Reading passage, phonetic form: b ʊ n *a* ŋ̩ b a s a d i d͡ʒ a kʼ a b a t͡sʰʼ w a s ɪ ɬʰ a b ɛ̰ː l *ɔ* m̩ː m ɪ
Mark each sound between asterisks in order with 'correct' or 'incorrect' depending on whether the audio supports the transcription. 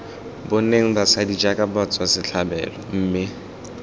incorrect: e, correct

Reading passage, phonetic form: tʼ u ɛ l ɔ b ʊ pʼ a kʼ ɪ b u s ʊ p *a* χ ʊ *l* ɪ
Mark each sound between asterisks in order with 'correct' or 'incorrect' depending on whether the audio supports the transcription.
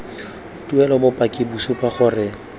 correct, incorrect: r

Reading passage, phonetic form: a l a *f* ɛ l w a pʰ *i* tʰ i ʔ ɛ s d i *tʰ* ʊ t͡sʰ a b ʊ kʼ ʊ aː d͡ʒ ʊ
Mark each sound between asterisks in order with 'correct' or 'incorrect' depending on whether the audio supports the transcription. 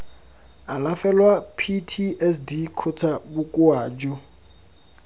correct, correct, incorrect: kʰ

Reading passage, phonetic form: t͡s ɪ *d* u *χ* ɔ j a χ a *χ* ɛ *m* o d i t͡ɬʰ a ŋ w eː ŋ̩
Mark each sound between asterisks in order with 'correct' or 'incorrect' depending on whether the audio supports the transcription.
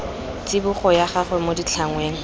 incorrect: b, correct, correct, correct

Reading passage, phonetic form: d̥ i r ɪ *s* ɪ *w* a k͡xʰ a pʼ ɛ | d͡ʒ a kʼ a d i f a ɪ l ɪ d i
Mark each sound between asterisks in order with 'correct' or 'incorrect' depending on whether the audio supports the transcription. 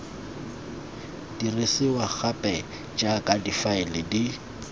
correct, correct

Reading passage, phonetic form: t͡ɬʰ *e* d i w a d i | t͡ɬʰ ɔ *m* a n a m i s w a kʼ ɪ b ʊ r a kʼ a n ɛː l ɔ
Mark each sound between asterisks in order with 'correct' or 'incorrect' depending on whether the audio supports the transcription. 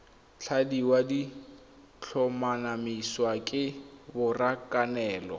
incorrect: a, correct

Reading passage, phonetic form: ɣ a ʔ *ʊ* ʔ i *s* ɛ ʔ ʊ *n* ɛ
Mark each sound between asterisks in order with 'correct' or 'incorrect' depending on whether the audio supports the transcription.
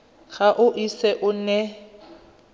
correct, correct, correct

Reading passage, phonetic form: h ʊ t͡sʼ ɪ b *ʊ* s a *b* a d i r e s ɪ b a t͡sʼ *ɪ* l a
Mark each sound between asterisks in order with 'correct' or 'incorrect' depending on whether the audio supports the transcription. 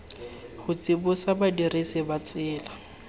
correct, correct, incorrect: ɪː

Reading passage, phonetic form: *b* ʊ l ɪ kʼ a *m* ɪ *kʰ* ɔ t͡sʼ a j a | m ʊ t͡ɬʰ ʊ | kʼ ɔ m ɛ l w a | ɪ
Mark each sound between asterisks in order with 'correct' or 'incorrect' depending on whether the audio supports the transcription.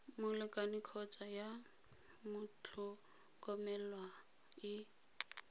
incorrect: m, incorrect: n, correct

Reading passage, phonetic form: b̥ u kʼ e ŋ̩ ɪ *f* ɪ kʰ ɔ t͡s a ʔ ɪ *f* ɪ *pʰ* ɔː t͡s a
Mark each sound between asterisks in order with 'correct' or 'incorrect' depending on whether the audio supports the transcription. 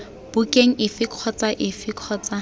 correct, correct, incorrect: kʰ

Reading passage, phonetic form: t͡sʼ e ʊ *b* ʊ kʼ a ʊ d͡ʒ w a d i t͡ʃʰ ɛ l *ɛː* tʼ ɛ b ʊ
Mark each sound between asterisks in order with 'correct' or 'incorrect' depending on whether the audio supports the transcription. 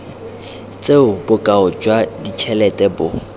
correct, incorrect: ɛ

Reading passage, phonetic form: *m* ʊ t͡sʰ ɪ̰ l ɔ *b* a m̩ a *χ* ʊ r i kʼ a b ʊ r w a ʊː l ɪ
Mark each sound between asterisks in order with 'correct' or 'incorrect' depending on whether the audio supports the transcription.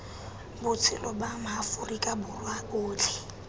incorrect: b, correct, incorrect: f

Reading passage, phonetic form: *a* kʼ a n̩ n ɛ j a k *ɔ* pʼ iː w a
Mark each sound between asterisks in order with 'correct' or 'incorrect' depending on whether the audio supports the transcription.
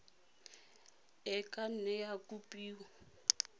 incorrect: ɛ, incorrect: u

